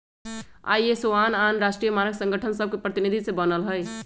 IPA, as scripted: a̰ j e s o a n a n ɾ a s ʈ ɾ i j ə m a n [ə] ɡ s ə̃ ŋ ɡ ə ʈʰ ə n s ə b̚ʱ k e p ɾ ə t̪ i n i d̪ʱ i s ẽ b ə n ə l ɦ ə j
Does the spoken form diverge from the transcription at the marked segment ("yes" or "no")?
no